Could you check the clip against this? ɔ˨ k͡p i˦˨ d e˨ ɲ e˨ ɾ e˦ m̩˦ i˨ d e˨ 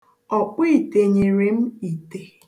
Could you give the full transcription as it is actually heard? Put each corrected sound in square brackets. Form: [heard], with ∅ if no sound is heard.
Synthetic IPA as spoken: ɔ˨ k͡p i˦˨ [t] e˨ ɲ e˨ ɾ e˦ m̩˦ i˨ [t] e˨